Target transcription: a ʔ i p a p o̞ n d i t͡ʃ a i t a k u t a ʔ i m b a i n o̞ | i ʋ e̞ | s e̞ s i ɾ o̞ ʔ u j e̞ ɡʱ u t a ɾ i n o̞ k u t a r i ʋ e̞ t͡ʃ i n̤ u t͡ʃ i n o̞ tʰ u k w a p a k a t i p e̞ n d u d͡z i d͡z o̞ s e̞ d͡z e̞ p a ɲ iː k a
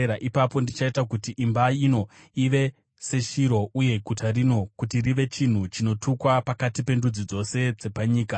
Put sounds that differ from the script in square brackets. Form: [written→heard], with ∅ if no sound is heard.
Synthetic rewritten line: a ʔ i p a p o̞ n d i t͡ʃ a i t a k u t [a→i] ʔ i m b a i n o̞ | i ʋ e̞ | s e̞ [s→ʃ] i ɾ o̞ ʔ u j e̞ ɡʱ u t a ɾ i n o̞ k u t [a→i] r i ʋ e̞ t͡ʃ i n̤ u t͡ʃ i n o̞ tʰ u k w a p a k a t i p e̞ n d u d͡z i d͡z o̞ s e̞ d͡z e̞ p a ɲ iː k a